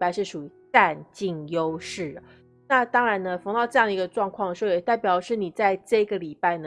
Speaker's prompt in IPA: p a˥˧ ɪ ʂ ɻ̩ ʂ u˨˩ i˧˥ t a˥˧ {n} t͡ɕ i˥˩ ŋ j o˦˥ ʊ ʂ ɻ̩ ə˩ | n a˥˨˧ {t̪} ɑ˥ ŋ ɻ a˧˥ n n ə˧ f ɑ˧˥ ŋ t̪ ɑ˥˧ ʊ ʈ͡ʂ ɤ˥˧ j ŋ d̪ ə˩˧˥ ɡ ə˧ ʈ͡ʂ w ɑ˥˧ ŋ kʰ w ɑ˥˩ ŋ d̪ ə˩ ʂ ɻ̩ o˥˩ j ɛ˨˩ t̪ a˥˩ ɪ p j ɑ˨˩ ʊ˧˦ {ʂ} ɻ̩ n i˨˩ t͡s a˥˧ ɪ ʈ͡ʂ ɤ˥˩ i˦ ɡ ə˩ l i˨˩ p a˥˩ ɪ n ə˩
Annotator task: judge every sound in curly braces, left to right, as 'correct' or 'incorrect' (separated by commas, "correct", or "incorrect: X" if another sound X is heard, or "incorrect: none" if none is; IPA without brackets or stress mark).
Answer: correct, correct, correct